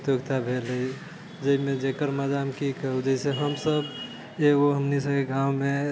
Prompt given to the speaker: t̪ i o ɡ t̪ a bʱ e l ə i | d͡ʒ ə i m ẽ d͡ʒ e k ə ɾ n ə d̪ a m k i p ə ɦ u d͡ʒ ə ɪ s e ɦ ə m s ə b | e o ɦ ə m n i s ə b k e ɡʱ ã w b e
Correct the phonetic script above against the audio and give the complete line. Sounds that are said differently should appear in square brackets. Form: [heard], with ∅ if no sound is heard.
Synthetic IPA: t̪ [j] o ɡ t̪ a bʱ e l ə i | d͡ʒ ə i m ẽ d͡ʒ e k ə ɾ [m] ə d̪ a m k i [k] ə ɦ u d͡ʒ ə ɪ s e ɦ ə m s ə b | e o ɦ ə m n i s ə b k e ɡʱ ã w [m] e